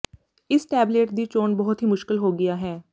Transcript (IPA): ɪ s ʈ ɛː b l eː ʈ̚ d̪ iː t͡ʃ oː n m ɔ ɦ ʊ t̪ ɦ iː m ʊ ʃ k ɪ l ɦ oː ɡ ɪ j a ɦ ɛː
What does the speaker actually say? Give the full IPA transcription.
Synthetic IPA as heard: ɪ s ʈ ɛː b l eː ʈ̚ d̪ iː t͡ʃ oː n b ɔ ɦ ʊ t̪ ɦ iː m ʊ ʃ k ɪ l ɦ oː ɡ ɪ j a ɦ ɛː